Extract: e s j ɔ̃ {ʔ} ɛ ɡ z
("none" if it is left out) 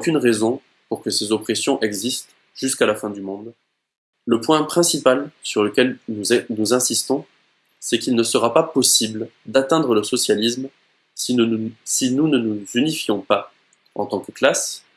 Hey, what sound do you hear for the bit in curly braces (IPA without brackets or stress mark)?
ʔ